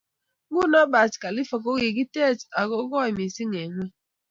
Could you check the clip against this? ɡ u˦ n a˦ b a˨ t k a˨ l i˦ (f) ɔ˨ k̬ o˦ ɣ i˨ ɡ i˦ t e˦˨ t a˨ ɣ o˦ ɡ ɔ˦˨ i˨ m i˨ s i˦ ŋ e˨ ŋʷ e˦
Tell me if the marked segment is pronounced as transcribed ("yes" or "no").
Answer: yes